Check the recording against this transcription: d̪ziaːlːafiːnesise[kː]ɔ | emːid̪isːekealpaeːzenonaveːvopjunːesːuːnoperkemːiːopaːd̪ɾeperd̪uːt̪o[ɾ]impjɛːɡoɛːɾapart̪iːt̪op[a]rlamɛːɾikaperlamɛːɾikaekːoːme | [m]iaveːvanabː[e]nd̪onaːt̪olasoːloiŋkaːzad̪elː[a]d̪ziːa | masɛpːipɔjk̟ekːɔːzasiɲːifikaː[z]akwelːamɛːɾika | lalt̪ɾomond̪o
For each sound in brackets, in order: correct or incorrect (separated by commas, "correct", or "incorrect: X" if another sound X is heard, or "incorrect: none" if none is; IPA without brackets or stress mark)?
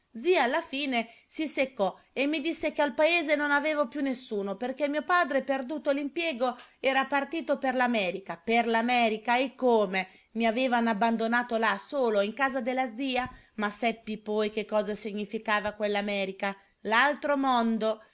correct, incorrect: l, incorrect: e, correct, incorrect: a, correct, incorrect: v